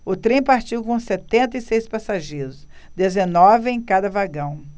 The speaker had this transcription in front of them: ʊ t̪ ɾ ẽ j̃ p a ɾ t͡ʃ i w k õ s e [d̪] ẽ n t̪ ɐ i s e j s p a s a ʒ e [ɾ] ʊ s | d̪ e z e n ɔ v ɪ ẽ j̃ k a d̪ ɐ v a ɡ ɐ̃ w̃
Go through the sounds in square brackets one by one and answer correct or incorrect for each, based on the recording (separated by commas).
incorrect, correct